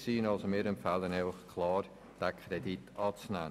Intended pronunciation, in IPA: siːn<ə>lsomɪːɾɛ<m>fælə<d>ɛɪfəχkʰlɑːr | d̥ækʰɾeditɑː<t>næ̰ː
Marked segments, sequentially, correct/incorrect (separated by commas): incorrect, correct, incorrect, incorrect